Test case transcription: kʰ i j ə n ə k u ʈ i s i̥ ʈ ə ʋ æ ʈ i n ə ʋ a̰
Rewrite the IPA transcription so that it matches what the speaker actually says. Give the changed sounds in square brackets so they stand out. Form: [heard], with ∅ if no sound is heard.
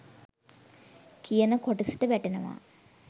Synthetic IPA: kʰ i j ə n ə k [o] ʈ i s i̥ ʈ ə ʋ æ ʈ [e] n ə ʋ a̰